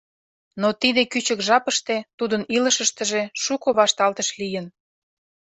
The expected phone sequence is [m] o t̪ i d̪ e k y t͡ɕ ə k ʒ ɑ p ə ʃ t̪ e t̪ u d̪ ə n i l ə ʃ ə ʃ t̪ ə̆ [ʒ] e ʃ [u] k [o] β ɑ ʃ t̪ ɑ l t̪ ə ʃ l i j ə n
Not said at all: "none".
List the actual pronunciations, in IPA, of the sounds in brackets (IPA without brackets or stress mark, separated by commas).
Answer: n, ʒ, u, o